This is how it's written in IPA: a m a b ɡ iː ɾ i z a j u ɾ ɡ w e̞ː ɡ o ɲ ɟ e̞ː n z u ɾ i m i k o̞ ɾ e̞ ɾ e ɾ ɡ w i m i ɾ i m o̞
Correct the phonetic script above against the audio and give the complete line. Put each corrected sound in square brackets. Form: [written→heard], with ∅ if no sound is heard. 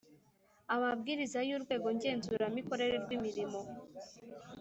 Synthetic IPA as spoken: a m a b ɡ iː ɾ i z a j u ɾ ɡ w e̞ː ɡ o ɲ ɟ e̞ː n z u ɾ [i→a] m i k o̞ ɾ e̞ ɾ e ɾ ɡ w i m i ɾ i m o̞